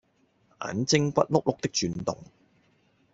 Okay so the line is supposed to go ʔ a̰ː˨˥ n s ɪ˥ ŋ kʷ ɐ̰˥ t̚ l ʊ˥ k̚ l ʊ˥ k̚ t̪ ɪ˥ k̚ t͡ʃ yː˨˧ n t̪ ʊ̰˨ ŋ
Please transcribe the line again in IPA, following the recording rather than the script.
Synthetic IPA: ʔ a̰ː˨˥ n t͡s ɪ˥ ŋ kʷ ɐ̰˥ t̚ l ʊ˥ k̚ l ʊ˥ k̚ t̪ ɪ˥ k̚ t͡ʃ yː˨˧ n t̪ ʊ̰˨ ŋ